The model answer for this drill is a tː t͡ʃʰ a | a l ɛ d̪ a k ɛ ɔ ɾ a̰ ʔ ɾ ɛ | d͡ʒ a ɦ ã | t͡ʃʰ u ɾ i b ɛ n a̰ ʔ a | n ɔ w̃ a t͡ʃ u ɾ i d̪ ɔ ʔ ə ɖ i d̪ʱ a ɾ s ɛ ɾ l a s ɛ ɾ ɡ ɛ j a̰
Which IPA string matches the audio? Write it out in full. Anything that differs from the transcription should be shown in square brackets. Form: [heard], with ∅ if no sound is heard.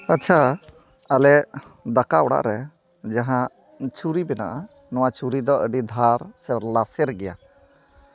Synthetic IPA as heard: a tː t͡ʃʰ a | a l ɛ d̪ a k [a] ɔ [ɽ] a̰ ʔ ɾ ɛ | d͡ʒ a ɦ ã | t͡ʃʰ u ɾ i b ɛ n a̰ ʔ a | n ɔ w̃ a t͡ʃ u ɾ i d̪ ɔ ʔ ə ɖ i d̪ʱ a ɾ s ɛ ɾ l a s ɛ ɾ ɡ ɛ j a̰